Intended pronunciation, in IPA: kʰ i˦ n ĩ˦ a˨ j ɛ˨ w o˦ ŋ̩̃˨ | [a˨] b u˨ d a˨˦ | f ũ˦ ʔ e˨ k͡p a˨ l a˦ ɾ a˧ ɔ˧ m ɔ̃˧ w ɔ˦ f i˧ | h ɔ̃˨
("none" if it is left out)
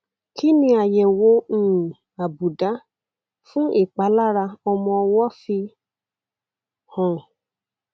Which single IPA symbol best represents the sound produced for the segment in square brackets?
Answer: a˨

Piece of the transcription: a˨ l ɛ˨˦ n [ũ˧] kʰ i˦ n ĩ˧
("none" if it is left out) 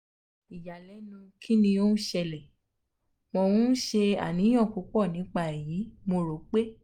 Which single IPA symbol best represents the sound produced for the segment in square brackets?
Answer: ũ˧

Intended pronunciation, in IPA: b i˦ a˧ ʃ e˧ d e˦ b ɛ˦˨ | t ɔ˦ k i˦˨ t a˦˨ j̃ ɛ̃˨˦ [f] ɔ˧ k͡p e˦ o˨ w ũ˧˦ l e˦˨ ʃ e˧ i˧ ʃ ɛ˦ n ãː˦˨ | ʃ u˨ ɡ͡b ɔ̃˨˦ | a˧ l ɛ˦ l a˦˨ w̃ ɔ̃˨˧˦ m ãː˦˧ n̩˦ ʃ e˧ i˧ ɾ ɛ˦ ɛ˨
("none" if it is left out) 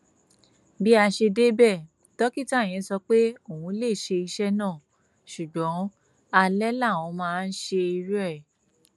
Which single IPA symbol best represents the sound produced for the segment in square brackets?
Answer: s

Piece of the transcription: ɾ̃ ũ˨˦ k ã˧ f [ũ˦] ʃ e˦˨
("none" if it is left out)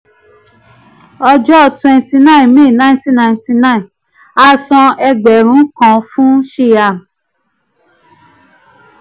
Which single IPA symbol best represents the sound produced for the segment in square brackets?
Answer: ũ˦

